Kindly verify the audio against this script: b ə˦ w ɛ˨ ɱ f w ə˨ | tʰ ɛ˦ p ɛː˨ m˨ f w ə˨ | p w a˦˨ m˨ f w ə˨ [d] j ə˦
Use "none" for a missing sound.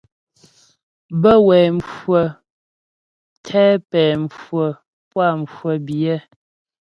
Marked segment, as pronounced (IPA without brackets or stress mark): b